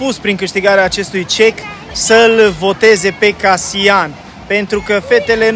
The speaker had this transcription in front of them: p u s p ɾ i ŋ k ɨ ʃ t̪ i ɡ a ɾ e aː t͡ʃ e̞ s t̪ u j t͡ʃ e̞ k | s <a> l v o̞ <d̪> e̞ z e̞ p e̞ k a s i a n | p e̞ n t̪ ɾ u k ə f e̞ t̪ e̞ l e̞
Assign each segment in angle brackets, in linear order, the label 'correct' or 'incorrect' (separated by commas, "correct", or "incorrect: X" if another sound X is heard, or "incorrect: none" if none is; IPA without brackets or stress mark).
incorrect: ə, incorrect: t̪